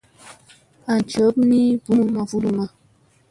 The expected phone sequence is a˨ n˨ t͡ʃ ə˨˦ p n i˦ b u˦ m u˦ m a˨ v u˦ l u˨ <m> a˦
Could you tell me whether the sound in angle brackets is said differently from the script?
no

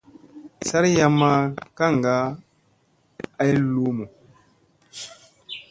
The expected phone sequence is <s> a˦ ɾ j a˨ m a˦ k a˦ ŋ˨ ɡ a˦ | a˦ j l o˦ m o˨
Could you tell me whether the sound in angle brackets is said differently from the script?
no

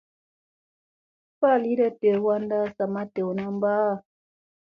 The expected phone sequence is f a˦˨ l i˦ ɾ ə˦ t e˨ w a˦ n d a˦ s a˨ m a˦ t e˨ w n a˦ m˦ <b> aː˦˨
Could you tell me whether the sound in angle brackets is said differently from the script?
no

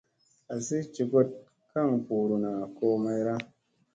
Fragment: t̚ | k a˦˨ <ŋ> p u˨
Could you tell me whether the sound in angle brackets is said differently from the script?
no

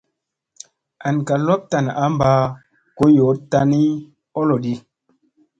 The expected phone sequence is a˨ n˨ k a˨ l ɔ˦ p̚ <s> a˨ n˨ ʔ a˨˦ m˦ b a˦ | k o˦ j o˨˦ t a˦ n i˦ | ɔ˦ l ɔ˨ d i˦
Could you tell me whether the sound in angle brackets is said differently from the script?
yes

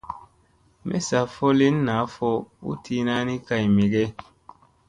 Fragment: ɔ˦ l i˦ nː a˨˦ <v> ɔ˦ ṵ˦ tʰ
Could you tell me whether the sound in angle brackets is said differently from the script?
yes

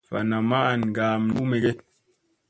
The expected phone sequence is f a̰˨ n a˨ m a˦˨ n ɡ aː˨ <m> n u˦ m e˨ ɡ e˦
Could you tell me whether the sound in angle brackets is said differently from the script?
no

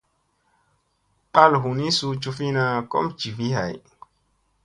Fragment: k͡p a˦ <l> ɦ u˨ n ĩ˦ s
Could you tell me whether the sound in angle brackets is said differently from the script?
no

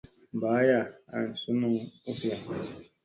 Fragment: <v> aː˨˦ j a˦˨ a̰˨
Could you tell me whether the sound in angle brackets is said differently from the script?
yes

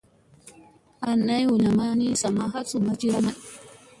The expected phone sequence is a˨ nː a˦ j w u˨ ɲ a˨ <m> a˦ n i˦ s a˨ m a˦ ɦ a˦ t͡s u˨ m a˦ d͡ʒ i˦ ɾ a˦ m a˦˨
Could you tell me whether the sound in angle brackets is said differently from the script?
no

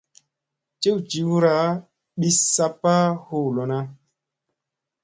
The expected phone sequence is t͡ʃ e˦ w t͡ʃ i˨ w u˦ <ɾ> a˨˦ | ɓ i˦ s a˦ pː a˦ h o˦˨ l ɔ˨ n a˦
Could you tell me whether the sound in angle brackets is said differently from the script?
no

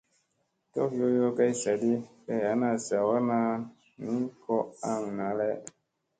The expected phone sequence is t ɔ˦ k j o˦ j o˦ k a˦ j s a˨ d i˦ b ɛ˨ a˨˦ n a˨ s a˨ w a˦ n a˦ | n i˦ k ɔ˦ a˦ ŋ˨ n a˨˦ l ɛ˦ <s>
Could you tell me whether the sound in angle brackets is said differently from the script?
yes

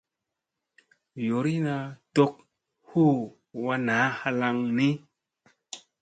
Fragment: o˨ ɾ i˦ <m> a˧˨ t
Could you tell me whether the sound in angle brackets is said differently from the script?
yes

